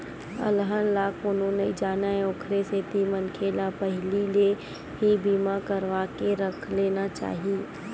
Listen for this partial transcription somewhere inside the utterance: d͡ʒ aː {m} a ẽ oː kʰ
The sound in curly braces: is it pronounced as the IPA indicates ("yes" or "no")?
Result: no